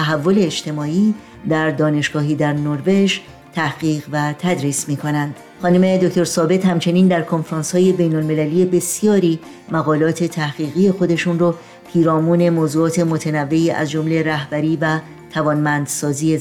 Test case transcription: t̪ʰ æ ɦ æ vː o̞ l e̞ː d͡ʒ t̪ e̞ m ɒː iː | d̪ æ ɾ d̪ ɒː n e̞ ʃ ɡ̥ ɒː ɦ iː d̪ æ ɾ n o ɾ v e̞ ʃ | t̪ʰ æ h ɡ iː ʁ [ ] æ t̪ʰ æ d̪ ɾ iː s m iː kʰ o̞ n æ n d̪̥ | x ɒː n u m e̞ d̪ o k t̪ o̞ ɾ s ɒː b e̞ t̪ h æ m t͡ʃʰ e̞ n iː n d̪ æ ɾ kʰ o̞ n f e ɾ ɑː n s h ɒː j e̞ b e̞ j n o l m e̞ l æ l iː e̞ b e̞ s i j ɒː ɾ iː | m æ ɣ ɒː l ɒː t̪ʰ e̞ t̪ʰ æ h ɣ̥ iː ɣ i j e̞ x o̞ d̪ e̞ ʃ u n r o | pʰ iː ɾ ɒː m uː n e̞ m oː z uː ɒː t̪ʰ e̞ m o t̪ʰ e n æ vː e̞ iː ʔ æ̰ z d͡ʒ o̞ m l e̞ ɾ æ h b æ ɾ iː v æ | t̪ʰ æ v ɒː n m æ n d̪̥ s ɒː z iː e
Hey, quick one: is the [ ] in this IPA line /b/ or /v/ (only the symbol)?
v